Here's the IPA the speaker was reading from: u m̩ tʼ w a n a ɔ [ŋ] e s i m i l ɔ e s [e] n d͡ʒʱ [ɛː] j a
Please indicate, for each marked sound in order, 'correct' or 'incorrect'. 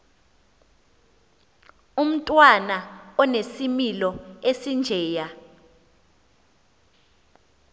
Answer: incorrect, incorrect, correct

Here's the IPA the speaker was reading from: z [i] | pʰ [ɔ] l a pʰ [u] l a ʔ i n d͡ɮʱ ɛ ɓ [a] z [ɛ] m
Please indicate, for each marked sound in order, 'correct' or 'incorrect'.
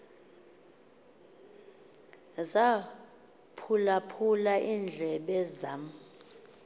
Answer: incorrect, incorrect, correct, incorrect, incorrect

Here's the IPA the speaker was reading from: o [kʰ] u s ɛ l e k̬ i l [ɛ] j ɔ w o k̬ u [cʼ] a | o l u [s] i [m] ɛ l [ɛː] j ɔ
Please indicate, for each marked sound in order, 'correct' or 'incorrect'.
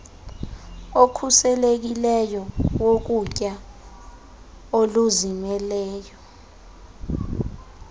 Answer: correct, correct, correct, incorrect, correct, correct

